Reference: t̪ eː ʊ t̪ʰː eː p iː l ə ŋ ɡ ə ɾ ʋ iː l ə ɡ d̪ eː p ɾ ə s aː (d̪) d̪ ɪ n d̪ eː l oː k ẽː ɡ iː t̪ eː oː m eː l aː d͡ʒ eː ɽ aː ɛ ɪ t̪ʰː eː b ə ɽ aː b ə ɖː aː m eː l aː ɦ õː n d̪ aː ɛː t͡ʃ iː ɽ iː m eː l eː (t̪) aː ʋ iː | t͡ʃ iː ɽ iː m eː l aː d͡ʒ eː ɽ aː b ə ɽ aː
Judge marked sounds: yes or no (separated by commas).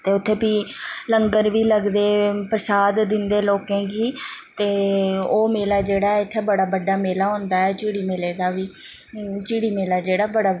yes, no